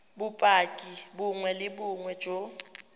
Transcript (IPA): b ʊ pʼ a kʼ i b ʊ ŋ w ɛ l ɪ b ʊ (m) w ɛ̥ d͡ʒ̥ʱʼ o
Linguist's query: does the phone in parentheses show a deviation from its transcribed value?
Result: yes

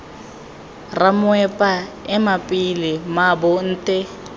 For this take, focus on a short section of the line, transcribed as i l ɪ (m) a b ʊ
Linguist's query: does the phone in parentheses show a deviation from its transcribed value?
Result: no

